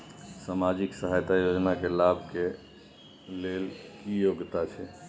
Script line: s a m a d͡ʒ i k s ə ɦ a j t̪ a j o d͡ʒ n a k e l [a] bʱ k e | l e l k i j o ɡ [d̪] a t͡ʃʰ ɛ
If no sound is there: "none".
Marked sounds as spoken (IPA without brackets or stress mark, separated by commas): a, t̪